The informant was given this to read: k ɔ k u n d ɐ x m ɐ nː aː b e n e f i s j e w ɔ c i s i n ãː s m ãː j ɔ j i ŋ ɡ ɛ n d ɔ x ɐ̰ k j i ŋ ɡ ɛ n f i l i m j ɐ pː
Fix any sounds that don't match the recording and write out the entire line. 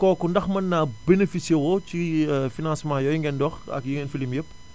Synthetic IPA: k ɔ k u n d ɐ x m ɐ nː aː b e n e f i s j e w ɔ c i f i n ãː s m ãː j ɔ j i ŋ ɡ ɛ n d ɔ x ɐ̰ k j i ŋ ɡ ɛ n f i l i m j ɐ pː